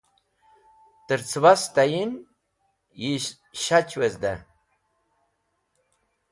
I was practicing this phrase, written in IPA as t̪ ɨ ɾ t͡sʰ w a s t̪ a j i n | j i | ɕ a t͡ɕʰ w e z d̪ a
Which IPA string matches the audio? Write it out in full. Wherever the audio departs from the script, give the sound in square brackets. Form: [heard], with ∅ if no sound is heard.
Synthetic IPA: t̪ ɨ ɾ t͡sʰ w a s t̪ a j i n | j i | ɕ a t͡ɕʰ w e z d̪ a